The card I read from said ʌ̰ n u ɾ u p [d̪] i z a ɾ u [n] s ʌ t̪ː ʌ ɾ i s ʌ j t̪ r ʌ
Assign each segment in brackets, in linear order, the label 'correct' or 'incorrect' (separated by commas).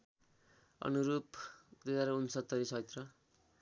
correct, correct